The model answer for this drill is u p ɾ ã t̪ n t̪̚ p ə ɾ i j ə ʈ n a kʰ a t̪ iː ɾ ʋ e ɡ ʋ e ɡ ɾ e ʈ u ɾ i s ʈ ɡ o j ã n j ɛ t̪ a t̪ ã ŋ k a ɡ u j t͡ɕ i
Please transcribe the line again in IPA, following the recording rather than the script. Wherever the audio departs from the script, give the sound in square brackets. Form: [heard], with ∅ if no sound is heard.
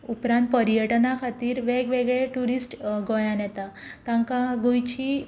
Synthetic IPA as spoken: u p ɾ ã [∅] n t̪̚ p ə ɾ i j ə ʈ n a kʰ a t̪ iː ɾ ʋ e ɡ ʋ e ɡ [ɭ] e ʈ u ɾ i s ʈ ɡ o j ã n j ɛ t̪ a t̪ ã ŋ k a ɡ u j t͡ɕ i